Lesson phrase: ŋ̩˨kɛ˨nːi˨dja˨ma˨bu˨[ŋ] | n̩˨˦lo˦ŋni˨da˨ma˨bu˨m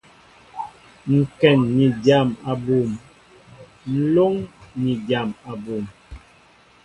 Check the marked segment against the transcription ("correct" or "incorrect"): incorrect